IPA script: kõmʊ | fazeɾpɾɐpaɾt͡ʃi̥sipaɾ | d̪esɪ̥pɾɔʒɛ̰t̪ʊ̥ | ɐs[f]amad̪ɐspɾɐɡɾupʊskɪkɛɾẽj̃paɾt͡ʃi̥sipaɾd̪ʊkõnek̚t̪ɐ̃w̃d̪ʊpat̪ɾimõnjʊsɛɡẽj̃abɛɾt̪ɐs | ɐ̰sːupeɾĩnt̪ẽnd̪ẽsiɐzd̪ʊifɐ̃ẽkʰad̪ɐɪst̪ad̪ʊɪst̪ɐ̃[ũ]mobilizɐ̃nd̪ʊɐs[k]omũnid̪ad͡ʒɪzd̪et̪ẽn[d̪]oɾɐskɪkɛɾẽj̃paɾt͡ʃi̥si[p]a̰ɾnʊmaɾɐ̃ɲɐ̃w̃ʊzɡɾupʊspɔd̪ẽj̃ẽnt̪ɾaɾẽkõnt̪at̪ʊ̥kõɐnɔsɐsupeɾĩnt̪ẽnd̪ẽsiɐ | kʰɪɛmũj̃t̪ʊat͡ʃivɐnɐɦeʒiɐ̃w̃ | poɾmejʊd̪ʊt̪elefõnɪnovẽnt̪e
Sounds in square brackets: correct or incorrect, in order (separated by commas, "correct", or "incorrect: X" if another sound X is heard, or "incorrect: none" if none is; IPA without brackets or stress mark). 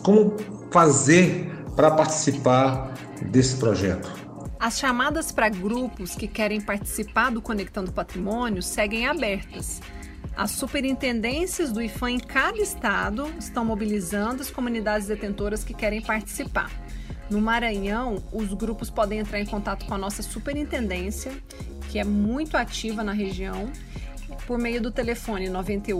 incorrect: ʃ, incorrect: w̃, correct, incorrect: t̪, correct